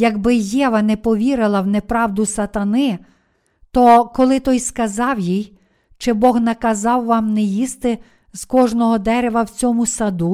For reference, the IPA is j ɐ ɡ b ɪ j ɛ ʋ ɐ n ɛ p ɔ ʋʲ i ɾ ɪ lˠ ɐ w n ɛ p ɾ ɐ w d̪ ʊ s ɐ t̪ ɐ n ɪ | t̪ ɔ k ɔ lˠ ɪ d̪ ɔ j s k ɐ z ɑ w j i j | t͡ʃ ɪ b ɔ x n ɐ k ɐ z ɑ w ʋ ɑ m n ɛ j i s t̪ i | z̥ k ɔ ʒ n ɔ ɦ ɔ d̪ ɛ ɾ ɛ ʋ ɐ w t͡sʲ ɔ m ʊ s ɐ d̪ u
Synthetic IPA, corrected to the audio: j ɐ ɡ b ɪ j ɛ ʋ ɐ n ɛ p ɔ ʋʲ i ɾ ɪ lˠ ɐ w n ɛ p ɾ ɑ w d̪ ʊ s ɐ t̪ ɐ n ɪ | t̪ ɔ k ɔ lˠ ɪ t̪ ɔ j s k ɐ z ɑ w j i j | t͡ʃ ɪ b ɔ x n ɐ k ɐ z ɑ w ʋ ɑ m n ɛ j i s t̪ ɪ | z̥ k ɔ ʒ n ɔ ɦ ɔ d̪ ɛ ɾ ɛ ʋ ɐ w t͡sʲ ɔ m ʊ s ɐ d̪ u